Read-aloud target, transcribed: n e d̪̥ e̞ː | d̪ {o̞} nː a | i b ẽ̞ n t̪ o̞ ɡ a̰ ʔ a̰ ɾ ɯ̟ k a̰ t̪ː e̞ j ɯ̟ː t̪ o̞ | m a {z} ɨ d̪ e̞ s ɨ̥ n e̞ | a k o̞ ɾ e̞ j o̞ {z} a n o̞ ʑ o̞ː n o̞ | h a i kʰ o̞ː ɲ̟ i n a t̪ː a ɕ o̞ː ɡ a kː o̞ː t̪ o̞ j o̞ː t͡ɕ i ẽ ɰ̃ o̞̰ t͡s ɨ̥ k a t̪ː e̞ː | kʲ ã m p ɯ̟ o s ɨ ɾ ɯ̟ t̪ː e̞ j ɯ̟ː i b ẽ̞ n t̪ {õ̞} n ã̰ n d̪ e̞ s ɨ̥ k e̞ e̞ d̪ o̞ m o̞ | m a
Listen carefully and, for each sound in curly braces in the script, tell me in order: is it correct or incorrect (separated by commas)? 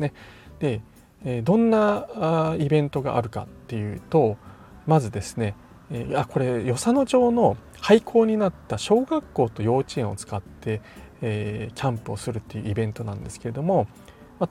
incorrect, correct, incorrect, incorrect